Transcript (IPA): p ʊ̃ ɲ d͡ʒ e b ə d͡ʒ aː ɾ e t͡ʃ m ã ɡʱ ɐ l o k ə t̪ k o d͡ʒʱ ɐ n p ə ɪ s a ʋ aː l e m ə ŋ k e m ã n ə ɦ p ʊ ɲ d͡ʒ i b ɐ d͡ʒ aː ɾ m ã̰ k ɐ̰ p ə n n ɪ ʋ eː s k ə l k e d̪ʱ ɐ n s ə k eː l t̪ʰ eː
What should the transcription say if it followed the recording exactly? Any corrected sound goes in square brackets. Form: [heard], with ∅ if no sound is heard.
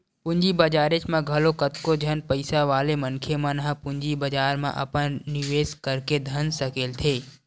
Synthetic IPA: p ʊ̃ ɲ d͡ʒ [i] b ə d͡ʒ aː ɾ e t͡ʃ m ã ɡʱ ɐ l o k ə t̪ k o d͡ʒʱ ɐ n p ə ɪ s a ʋ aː l e m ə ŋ [kʰ] e m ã n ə ɦ p ʊ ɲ d͡ʒ i b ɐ d͡ʒ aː ɾ m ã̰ [ʔ] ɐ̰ p ə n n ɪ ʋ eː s k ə [ɾ] k e d̪ʱ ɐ n s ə k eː l t̪ʰ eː